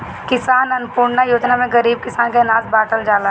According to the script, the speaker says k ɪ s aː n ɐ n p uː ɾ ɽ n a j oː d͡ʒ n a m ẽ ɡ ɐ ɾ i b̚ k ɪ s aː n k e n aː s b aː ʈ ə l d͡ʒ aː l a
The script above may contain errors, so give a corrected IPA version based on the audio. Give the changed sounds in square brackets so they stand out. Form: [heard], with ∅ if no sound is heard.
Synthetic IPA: k ɪ s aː n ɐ n p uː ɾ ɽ n a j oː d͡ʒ n a m ẽ ɡ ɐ ɾ [iː] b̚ k ɪ s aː n k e n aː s b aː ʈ ə l d͡ʒ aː l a

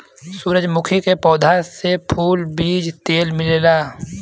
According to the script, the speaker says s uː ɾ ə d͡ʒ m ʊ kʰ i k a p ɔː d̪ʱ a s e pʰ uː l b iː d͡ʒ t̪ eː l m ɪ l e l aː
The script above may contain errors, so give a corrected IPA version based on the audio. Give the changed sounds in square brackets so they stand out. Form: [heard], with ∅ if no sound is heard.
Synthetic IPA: s uː ɾ ə d͡ʒ m ʊ kʰ i k [e] p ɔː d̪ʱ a s e pʰ uː l b iː d͡ʒ t̪ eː l m ɪ l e l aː

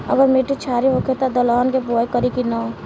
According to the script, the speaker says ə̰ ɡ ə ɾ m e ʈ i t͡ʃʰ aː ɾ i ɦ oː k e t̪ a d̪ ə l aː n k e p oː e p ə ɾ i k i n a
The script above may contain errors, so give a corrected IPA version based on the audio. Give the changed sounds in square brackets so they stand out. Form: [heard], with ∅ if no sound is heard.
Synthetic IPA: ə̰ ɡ ə ɾ m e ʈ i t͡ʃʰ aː ɾ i ɦ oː k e t̪ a d̪ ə l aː n k e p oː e [k] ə ɾ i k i n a

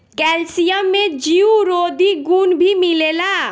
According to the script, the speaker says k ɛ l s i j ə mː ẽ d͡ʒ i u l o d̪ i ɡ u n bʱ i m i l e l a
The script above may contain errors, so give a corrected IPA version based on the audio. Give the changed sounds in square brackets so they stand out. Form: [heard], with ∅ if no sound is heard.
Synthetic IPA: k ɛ l s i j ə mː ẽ d͡ʒ i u [ɾ] o d̪ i ɡ u n bʱ i m i l e l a

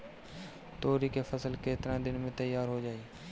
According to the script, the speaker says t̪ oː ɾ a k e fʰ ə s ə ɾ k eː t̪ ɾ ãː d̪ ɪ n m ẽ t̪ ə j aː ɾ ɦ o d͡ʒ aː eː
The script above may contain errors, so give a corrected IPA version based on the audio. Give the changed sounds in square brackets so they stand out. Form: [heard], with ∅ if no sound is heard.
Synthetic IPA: t̪ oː ɾ [i] k e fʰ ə s ə [l] k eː t̪ ɾ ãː d̪ ɪ n m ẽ t̪ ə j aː ɾ ɦ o d͡ʒ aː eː

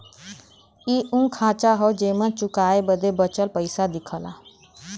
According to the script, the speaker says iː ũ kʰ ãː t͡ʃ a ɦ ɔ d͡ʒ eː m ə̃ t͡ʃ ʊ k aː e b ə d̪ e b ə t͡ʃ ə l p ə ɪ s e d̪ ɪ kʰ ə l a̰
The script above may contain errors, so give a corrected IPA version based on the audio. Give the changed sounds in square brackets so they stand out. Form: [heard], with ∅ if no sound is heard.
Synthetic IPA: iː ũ kʰ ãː t͡ʃ a ɦ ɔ d͡ʒ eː m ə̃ t͡ʃ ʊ k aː e b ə d̪ e b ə t͡ʃ ə l p ə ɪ s [a] d̪ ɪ kʰ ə l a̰

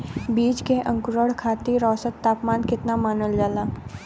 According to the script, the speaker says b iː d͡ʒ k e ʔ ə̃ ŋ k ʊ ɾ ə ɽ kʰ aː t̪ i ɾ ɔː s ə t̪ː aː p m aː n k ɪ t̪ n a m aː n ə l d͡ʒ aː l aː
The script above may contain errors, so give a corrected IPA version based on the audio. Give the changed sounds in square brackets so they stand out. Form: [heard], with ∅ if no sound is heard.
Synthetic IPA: b iː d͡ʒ k e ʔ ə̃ ŋ k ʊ ɾ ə ɽ kʰ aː t̪ i ɾ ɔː s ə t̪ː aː p m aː n k ɪ t̪ n a m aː n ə l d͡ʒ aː l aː

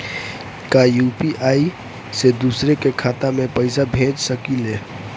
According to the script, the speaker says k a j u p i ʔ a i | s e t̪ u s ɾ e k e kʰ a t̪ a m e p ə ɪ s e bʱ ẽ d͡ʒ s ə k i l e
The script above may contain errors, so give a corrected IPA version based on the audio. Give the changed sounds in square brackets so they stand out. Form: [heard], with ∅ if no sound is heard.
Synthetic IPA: k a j u p i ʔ a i | s e [d̪] u s ɾ e k e kʰ a t̪ a m e p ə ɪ s [a] bʱ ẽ d͡ʒ s ə k i l e

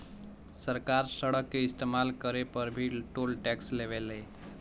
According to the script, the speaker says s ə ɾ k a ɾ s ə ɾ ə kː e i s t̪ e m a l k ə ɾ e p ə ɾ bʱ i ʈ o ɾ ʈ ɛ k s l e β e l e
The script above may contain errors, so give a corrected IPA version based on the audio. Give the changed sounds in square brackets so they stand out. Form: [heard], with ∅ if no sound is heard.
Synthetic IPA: s ə ɾ k a ɾ s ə [ɽ] ə kː e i s t̪ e m a l k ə ɾ e p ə ɾ bʱ i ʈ o [l] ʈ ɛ k s l e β e l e

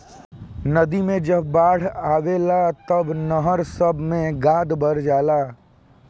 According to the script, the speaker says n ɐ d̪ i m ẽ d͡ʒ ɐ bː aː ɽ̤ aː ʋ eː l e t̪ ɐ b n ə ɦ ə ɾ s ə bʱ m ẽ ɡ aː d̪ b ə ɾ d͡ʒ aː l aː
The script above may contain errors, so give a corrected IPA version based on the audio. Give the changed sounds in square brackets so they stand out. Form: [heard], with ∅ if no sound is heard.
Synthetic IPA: n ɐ d̪ i m ẽ d͡ʒ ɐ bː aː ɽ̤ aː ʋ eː l [a] t̪ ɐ b n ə ɦ ə ɾ s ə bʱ m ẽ ɡ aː d̪ b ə ɾ d͡ʒ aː l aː

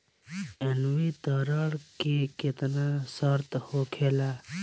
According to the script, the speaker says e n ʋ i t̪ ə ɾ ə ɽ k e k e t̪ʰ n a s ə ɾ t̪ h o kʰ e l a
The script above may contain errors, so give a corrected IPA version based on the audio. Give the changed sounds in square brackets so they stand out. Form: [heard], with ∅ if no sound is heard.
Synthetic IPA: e n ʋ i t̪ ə ɾ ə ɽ k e k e [t̪] n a s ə ɾ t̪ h o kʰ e l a

